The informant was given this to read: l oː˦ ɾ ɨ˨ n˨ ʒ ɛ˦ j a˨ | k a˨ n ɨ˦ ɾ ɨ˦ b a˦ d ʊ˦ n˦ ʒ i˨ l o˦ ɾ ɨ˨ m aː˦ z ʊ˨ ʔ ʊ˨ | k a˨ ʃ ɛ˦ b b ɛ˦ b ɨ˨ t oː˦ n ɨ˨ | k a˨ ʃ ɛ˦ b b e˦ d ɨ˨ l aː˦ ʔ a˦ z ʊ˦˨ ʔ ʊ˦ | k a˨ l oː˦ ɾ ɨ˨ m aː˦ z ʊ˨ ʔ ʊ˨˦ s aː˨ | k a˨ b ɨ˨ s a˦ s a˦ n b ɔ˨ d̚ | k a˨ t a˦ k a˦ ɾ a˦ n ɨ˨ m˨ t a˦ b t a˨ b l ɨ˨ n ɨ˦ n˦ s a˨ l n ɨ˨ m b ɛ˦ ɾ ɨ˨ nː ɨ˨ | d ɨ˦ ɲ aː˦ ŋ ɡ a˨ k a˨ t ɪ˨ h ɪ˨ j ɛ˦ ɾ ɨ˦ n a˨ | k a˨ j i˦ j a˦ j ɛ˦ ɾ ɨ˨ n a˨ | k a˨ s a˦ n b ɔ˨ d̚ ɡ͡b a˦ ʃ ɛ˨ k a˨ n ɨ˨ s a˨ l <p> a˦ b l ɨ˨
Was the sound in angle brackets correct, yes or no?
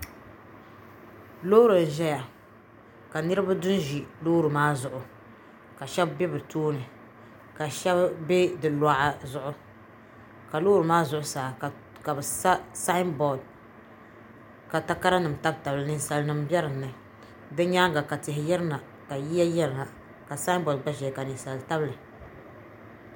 no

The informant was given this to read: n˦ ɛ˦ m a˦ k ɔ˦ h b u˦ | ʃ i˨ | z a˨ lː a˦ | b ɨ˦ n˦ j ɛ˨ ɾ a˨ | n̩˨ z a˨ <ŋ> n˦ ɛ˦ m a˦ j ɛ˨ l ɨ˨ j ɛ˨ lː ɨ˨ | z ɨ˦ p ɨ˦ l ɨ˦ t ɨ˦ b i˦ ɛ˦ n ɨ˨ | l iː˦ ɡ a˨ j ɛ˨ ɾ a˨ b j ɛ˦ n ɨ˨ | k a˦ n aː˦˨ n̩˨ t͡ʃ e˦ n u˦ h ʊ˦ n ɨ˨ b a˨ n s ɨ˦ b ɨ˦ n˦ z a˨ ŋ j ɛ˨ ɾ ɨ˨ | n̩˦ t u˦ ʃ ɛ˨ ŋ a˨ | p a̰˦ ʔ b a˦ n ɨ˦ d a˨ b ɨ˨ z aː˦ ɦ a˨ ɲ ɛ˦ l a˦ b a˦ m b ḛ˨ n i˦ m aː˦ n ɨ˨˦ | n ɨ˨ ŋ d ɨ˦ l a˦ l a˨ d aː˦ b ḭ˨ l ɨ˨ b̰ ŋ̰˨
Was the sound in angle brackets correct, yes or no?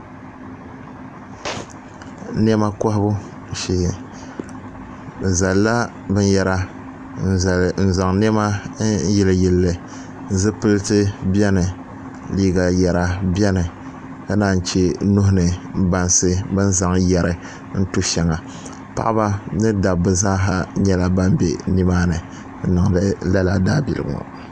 yes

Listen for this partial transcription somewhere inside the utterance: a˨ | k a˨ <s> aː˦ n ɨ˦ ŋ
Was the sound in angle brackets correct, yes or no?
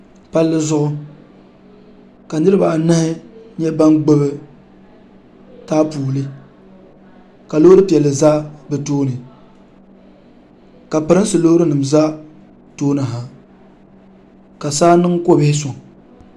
yes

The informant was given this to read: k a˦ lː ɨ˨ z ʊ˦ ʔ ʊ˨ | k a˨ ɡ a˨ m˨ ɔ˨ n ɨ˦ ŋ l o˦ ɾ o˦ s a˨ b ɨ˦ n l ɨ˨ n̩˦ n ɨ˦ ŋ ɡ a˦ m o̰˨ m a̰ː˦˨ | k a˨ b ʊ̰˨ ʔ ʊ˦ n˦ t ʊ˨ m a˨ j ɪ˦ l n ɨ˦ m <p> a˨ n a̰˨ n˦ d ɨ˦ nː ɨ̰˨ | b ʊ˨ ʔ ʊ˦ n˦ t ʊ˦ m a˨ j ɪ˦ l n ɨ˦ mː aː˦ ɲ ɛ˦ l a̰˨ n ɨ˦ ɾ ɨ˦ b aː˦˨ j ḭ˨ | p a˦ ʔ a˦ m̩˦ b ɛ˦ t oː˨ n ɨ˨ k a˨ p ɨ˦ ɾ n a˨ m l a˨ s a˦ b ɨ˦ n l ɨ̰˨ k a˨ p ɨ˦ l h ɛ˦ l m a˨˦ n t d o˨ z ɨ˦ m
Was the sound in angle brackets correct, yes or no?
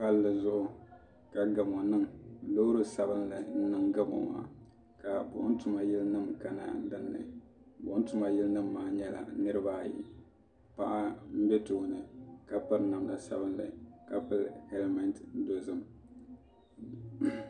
no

